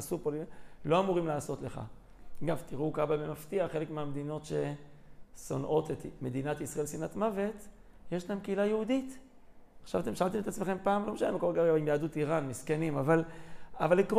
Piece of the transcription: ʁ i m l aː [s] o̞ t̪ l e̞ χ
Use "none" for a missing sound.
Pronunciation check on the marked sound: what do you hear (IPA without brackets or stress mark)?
s